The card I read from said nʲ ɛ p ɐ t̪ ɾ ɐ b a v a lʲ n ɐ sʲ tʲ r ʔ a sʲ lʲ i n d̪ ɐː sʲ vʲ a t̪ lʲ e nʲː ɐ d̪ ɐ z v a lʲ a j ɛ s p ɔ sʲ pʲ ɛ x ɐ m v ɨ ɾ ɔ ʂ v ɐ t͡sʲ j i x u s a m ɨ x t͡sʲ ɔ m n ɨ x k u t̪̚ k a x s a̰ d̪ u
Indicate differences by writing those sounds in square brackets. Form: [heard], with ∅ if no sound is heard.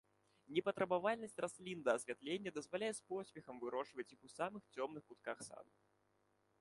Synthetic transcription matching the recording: nʲ ɛ p ɐ t̪ ɾ ɐ b a v a lʲ n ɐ sʲ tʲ r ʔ a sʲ lʲ i n d̪ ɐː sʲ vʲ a t̪ lʲ e nʲː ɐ d̪ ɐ z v a lʲ a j ɛ s p ɔ sʲ pʲ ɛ x ɐ m v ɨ ɾ ɔ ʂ v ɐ t͡sʲ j i x u s a m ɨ x t͡sʲ ɔ m n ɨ x k u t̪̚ k a x s a̰ d̪ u